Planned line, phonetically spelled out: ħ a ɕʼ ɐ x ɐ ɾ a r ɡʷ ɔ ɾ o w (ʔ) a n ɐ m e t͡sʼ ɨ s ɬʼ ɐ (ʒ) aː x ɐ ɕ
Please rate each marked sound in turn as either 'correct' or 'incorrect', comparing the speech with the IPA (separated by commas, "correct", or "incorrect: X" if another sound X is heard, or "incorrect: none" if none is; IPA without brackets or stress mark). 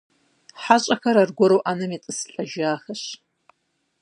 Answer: correct, correct